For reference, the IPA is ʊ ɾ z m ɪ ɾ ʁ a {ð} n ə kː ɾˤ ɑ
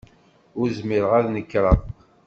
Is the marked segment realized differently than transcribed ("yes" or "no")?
no